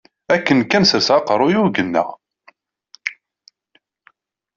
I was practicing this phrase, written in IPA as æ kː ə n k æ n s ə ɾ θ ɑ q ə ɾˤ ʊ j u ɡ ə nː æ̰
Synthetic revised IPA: æ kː ə n k æ n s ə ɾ s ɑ q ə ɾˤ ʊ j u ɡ ə nː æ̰